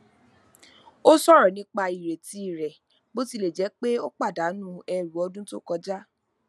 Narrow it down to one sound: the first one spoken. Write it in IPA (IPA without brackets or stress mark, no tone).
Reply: o